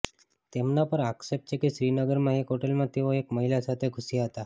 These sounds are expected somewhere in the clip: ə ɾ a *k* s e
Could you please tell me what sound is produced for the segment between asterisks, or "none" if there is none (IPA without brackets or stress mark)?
k